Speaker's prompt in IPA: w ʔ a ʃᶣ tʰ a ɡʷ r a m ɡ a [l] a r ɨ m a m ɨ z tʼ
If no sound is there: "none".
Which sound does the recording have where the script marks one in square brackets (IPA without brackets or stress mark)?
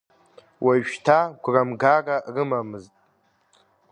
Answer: r